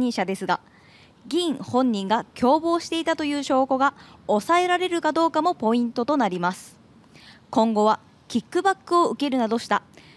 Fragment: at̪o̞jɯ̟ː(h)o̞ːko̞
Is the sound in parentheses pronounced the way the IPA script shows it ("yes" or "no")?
no